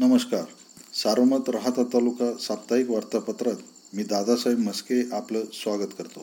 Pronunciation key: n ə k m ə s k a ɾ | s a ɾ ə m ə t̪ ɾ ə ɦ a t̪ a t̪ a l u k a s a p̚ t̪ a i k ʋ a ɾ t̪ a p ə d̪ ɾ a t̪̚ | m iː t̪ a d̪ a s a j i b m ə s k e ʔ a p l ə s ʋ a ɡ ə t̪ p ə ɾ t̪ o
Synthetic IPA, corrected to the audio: n ə m ə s k a ɾ | s a ɾ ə m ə t̪ ɾ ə ɦ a t̪ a t̪ a l u k a s a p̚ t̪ a i k ʋ a ɾ t̪ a p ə t̪ ɾ a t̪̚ | m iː d̪ a d̪ a s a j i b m ə s k e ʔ a p l ə s ʋ a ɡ ə t̪ k ə ɾ t̪ o